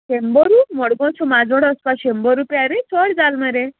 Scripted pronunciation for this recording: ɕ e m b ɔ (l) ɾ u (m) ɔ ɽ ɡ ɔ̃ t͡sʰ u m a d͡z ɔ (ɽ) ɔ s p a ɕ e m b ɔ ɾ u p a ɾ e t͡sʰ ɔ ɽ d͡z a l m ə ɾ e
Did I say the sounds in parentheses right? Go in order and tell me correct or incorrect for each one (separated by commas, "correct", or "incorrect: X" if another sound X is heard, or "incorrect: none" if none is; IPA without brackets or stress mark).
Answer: incorrect: none, correct, correct